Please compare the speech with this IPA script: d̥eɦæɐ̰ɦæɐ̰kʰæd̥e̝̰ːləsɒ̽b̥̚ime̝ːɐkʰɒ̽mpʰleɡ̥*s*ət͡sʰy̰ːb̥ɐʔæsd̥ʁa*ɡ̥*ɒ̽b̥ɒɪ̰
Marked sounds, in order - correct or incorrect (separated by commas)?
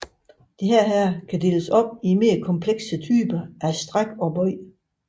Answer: correct, correct